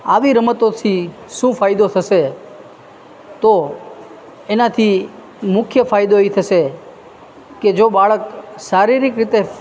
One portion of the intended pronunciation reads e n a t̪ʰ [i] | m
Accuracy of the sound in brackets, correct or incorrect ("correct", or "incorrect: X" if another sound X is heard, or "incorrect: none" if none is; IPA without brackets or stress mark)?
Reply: correct